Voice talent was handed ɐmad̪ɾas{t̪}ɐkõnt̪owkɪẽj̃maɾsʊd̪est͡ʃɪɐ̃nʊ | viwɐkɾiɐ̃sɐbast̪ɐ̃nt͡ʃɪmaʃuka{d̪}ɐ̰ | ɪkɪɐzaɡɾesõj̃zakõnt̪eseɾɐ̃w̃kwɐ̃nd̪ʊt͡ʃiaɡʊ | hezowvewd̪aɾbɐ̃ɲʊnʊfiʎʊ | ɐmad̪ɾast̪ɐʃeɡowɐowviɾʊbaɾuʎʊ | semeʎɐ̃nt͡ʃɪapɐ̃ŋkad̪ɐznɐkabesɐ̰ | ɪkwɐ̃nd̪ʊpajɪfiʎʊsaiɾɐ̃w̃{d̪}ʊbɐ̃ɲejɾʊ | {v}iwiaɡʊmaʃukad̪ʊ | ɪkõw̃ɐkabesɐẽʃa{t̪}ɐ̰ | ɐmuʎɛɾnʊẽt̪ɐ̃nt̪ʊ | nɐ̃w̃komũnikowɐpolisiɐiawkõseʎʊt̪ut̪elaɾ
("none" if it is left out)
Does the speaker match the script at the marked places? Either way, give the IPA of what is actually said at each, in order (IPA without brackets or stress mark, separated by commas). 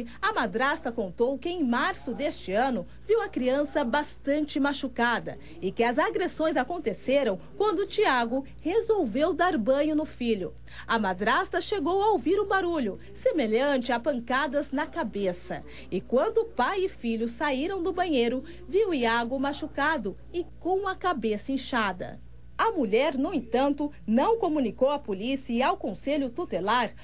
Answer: t̪, d̪, d̪, v, d̪